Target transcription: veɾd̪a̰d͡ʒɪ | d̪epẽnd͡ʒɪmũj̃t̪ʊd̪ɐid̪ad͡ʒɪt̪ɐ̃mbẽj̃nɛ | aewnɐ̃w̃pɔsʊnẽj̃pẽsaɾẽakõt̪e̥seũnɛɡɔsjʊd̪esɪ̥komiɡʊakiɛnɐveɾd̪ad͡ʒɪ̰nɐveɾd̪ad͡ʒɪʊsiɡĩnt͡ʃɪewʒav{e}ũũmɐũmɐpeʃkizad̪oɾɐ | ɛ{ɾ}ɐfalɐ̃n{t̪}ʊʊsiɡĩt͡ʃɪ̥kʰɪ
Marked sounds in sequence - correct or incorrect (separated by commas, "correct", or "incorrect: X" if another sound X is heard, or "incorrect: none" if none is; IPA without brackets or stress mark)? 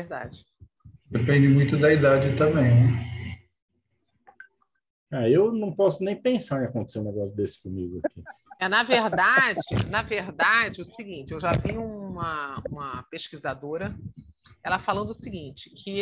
incorrect: i, incorrect: l, incorrect: d̪